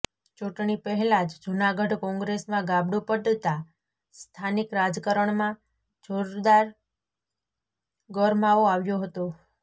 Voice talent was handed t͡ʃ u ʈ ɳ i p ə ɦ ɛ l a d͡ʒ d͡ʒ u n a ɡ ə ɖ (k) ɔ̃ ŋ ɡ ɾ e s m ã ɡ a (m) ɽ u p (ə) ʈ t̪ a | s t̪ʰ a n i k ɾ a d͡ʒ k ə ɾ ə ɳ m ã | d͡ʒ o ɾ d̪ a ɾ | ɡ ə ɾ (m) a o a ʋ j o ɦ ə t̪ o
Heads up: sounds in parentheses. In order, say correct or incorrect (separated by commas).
correct, incorrect, correct, correct